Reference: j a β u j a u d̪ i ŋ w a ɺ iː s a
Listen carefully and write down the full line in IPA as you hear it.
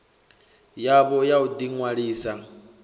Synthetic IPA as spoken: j a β ɔ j a u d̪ i ŋ w a ɺ iː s a

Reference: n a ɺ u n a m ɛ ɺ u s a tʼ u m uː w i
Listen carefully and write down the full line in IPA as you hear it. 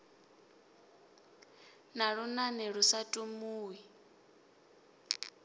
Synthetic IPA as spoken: n a ɺ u n a n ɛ ɺ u s a tʼ u m uː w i

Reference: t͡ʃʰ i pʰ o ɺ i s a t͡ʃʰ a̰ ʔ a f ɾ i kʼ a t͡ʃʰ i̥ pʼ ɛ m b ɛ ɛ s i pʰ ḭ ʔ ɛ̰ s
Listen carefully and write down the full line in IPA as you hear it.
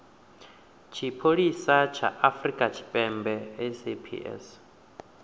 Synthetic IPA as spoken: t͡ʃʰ i pʰ o ɺ i s a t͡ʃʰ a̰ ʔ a f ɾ i kʼ a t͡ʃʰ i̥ pʼ ɛ m b ɛ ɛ s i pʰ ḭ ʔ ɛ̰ s

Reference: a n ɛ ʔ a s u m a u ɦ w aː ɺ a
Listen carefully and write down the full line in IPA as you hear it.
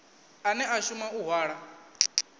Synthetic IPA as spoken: a n ɛ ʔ a ʃ u m a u ɦ w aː ɺ a

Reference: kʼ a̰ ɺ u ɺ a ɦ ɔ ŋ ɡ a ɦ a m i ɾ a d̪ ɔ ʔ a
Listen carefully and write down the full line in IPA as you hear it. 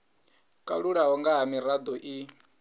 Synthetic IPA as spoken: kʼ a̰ ɺ u ɺ a ɦ ɔ ŋ ɡ a ɦ a m i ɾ a d̪ ɔ ʔ i

